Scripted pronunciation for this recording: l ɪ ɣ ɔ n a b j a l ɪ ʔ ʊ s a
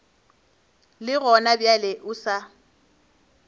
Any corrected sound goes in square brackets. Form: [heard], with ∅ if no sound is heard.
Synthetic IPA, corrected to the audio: l ɪ ɣ ɔ n a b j a l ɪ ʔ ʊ s a